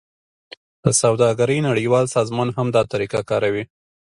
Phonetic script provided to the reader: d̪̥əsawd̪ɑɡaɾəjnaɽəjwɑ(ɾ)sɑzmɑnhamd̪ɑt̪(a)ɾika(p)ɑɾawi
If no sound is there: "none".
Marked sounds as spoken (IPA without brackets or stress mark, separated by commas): l, a, k